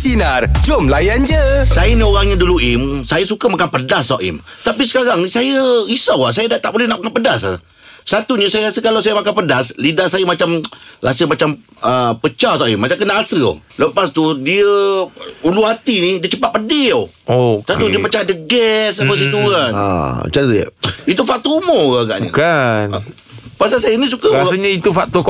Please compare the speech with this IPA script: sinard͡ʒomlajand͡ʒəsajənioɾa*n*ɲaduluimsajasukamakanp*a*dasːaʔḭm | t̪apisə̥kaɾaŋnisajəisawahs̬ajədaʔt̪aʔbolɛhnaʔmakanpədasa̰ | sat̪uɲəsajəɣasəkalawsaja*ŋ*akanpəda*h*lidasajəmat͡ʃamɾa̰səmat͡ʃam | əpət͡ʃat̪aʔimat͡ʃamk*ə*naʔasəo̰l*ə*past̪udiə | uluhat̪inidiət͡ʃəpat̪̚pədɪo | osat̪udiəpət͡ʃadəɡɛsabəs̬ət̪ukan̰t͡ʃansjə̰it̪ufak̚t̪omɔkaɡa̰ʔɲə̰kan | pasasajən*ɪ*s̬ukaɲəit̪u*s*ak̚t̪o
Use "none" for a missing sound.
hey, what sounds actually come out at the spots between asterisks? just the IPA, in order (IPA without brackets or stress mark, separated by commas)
ŋ, ə, m, s, ə, ə, i, f